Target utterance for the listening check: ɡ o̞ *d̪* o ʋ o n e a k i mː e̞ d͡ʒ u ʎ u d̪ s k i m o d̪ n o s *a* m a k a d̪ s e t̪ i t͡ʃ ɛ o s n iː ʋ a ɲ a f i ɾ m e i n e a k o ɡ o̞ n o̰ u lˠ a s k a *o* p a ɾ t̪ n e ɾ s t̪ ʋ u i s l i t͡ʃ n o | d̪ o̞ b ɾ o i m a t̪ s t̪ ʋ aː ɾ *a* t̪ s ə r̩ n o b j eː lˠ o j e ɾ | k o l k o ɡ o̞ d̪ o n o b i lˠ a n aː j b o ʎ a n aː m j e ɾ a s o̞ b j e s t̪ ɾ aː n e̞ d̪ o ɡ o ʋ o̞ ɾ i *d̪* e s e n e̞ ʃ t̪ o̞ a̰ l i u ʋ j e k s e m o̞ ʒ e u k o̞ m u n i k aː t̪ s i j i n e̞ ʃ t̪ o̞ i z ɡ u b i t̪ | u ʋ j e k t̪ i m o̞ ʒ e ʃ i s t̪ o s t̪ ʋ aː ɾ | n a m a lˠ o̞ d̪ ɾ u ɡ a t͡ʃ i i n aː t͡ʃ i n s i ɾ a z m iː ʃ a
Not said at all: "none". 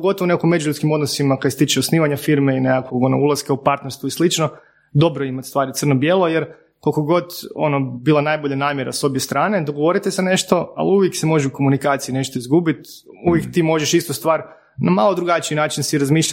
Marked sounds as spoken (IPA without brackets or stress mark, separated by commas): t̪, i, u, i, t̪